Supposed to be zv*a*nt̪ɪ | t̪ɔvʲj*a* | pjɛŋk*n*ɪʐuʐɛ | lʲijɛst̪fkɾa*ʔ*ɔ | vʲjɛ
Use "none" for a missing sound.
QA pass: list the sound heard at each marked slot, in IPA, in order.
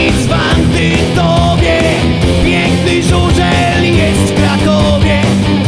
a, ɛ, n, k

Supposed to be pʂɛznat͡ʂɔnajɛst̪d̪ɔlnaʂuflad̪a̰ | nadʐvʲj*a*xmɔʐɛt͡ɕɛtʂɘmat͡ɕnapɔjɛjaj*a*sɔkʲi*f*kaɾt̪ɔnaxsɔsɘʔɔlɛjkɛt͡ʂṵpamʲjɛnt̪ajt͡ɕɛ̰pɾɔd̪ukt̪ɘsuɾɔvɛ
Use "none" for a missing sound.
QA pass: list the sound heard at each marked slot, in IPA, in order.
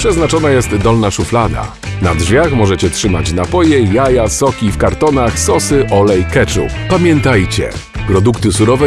a, a, f

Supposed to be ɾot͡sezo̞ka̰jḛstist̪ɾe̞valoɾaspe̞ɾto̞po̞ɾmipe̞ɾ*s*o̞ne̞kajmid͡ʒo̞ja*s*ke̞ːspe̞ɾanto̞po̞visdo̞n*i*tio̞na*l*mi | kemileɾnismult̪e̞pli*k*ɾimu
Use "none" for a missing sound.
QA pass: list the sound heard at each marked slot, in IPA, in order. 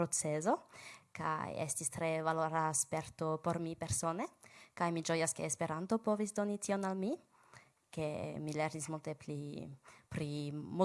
s, s, i, l, p

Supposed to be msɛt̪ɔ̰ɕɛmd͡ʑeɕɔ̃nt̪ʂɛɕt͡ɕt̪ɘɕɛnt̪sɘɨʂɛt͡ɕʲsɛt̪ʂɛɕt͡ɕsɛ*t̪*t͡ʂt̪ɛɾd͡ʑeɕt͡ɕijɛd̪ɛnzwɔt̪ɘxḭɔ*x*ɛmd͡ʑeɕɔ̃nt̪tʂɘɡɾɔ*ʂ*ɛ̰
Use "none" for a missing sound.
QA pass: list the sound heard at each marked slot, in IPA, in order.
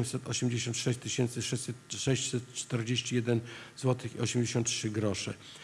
t̪, ɕ, ʂ

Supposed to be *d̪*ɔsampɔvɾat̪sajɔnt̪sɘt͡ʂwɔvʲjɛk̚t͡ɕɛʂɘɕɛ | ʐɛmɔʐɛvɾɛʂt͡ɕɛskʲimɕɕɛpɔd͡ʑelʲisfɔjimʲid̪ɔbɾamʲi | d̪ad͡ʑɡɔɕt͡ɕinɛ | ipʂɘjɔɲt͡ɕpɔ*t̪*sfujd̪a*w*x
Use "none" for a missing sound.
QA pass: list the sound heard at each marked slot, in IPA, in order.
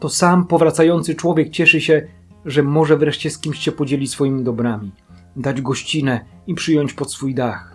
t̪, t̪, none

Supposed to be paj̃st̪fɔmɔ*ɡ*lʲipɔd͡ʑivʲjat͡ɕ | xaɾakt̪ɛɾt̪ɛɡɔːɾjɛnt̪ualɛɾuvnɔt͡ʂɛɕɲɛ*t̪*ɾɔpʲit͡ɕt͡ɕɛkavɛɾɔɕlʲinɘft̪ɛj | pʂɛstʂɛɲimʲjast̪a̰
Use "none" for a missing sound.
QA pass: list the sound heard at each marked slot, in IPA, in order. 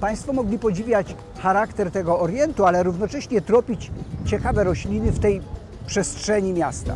ɡ, t̪

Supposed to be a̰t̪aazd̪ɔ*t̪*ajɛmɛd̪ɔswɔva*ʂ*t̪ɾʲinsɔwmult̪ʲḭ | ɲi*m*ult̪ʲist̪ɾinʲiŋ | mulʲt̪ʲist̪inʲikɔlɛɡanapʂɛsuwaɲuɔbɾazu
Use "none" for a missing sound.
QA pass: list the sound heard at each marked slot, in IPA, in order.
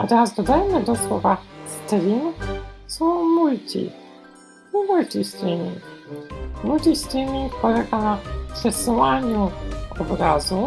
d̪, s, m

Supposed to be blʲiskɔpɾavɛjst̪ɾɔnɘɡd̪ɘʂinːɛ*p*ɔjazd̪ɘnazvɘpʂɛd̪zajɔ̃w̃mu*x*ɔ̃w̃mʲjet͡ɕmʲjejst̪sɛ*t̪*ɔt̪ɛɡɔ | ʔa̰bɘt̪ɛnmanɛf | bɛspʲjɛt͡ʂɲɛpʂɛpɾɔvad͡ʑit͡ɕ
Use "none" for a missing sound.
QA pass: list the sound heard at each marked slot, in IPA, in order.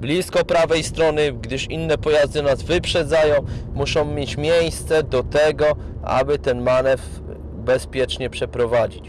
p, ʂ, d̪

